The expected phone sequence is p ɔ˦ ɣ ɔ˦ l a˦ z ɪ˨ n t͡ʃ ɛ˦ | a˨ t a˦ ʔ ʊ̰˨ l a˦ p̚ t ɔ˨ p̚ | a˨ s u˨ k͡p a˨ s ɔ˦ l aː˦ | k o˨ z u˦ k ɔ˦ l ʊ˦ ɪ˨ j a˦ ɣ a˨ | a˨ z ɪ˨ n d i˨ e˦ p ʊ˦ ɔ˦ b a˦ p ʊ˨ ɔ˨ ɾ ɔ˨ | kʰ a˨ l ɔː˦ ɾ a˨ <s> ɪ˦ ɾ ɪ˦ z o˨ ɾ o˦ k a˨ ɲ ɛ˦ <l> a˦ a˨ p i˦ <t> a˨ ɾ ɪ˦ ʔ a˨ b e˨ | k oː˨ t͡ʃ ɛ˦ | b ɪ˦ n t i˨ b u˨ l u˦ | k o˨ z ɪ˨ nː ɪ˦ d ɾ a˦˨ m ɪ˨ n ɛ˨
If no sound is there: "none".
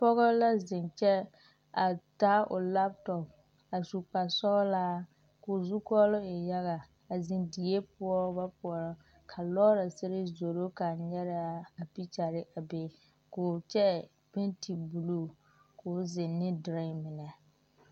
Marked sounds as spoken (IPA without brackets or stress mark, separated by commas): s, ɾ, t͡ʃ